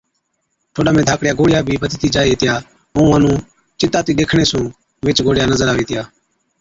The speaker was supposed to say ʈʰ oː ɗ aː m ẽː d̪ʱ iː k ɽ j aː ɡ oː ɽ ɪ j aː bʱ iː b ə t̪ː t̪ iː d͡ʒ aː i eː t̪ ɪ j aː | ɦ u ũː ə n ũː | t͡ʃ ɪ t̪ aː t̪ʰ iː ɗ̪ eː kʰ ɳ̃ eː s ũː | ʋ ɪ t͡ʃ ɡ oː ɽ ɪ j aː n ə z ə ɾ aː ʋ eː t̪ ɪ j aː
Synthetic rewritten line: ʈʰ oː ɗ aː m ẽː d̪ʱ aː k ɽ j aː ɡ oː ɽ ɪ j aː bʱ iː b ə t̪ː t̪ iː d͡ʒ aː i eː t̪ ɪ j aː | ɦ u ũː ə n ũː | t͡ʃ ɪ t̪ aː t̪ iː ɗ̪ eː kʰ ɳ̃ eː s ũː | ʋ ɪ t͡ʃ ɡ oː ɽ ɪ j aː n ə z ə ɾ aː ʋ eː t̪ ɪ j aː

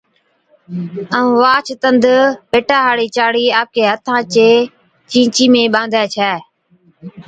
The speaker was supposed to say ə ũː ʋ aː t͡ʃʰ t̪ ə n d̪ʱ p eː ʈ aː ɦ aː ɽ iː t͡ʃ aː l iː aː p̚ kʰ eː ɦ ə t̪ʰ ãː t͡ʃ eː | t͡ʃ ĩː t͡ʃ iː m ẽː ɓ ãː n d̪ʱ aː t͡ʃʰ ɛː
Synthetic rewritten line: ə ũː ʋ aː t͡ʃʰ t̪ ə n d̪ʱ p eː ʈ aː ɦ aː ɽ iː t͡ʃ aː ɽ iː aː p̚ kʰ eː ɦ ə t̪ʰ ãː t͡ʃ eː | t͡ʃ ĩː t͡ʃ iː m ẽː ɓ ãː n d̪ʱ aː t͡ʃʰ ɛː

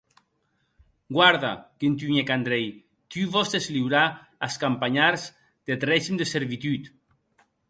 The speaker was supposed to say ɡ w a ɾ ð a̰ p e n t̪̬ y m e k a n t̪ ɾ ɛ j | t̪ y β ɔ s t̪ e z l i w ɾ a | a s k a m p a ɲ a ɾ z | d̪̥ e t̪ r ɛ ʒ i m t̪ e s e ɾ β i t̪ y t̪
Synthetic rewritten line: ɡ w a ɾ ð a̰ k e n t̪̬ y ɲ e k a n d̪ ɾ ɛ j | t̪ y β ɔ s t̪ e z l i w ɾ a | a s k a m p a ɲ a ɾ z | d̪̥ e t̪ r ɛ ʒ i m d̪ e s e ɾ β i t̪ y t̪

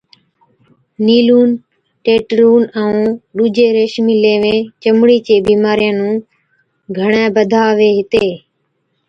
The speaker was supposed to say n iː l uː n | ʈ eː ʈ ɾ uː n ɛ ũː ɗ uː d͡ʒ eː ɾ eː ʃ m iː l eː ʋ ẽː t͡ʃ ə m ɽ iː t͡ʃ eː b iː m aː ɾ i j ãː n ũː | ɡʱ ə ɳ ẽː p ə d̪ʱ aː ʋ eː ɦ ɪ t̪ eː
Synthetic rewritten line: n iː l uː n | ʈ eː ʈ ɾ uː n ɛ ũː ɗ uː d͡ʒ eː ɾ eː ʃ m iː l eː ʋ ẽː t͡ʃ ə m ɽ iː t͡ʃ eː b iː m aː ɾ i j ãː n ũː | ɡʱ ə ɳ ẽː b ə d̪ʱ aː ʋ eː ɦ ɪ t̪ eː

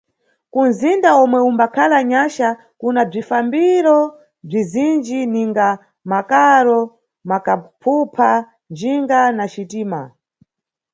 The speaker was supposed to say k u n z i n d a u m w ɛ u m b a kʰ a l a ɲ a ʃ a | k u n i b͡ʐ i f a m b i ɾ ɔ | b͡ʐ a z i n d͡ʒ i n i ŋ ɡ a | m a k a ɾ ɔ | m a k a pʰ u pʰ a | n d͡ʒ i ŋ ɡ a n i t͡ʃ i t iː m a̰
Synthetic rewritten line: k u n z i n d a ɔ m w ɛ u m b a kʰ a l a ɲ a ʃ a | k u n a b͡ʐ i f a m b i ɾ ɔ | b͡ʐ i z i n d͡ʒ i n i ŋ ɡ a | m a k a ɾ ɔ | m a k a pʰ u pʰ a | n d͡ʒ i ŋ ɡ a n a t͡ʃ i t iː m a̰

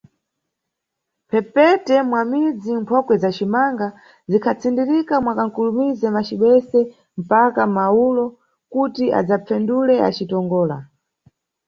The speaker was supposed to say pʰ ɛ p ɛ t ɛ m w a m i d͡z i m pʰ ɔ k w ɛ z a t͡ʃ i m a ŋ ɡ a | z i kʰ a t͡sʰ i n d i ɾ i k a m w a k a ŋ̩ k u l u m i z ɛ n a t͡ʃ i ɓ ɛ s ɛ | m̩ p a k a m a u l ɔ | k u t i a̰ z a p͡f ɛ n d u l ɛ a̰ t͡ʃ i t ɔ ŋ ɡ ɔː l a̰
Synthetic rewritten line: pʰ ɛ p ɛ t ɛ m w a m i d͡z i m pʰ ɔ k w ɛ z a t͡ʃ i m a ŋ ɡ a | z i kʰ a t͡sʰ i n d i ɾ i k a m w a k a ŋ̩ k u l u m i z ɛ m a t͡ʃ i ɓ ɛ s ɛ | m̩ p a k a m a u l ɔ | k u t i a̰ d͡z a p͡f ɛ n d u l ɛ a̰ t͡ʃ i t ɔ ŋ ɡ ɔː l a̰

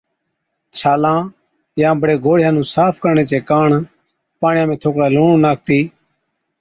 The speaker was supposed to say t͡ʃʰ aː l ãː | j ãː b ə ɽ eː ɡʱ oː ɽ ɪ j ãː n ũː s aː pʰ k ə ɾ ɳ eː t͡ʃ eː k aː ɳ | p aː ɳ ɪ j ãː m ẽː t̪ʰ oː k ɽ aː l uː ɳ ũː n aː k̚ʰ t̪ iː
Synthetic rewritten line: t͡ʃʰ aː l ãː | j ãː b ə ɽ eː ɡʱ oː ɽ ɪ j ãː n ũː s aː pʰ k ə ɾ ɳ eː t͡ʃ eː k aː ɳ | p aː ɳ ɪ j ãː m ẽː t̪ʰ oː k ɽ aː l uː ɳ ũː n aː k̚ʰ t̪ iː

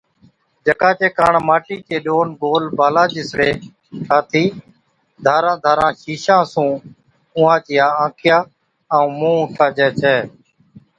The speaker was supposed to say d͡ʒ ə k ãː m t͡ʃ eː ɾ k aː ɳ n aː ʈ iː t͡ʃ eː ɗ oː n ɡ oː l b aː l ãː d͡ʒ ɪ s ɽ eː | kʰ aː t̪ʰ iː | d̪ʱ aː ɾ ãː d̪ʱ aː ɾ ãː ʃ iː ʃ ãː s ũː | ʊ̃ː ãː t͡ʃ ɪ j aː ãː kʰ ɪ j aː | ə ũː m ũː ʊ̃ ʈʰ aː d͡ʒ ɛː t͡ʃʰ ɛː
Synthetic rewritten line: d͡ʒ ə k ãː t͡ʃ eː k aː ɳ m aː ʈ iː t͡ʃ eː ɗ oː n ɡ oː l b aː l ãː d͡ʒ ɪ s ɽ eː | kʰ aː t̪ʰ iː | d̪ʱ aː ɾ ãː d̪ʱ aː ɾ ãː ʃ iː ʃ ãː s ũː | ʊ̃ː ãː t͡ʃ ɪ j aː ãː kʰ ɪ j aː | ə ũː m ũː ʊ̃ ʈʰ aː d͡ʒ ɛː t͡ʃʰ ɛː

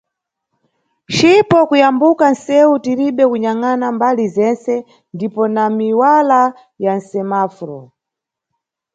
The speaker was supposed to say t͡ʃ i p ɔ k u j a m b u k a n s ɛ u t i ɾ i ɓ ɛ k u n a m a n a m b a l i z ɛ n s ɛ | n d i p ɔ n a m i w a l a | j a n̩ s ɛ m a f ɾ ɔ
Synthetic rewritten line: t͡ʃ i p ɔ k u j a m b u k a n s ɛ u t i ɾ i ɓ ɛ k u ɲ a ŋ a n a m b a l i z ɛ n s ɛ | n d i p ɔ n a m i w a l a | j a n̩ s ɛ m a f ɾ ɔ

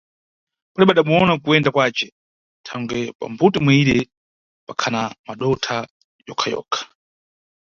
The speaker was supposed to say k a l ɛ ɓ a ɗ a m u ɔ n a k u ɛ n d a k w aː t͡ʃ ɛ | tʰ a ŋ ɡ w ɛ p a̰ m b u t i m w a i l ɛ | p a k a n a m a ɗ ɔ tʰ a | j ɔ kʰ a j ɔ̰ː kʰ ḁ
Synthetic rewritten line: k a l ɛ ɓ a ɗ a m u ɔ n a k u ɛ n d a k w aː t͡ʃ ɛ | tʰ a ŋ ɡ w ɛ p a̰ m b u t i m w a i ɾ ɛ | p a kʰ a n a m a ɗ ɔ tʰ a | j ɔ kʰ a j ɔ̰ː kʰ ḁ

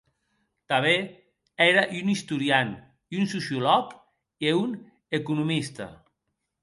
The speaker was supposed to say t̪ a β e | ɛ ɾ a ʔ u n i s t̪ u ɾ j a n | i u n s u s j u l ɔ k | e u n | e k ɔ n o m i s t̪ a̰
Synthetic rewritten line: t̪ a β e | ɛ ɾ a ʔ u n i s t̪ u ɾ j a n | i u n s u s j u l ɔ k | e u n | e k u n u m i s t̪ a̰

